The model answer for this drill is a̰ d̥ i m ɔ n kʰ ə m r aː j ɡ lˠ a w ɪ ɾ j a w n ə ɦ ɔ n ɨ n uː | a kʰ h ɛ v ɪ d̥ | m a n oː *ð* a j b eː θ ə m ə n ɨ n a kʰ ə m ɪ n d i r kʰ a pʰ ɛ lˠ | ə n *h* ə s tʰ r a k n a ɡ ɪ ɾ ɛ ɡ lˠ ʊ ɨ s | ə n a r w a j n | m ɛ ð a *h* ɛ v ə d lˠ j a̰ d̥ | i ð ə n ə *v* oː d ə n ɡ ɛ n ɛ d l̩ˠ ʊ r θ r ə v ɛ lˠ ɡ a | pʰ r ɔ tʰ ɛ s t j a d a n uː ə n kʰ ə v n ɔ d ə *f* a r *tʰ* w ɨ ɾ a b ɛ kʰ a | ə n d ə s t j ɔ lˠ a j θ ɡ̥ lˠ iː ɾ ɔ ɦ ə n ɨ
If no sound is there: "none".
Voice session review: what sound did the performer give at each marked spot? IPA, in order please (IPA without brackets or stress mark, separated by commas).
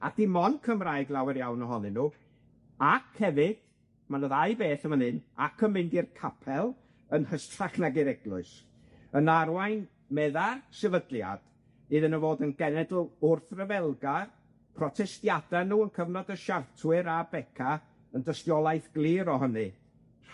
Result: ð, h, s, v, ʃ, tʰ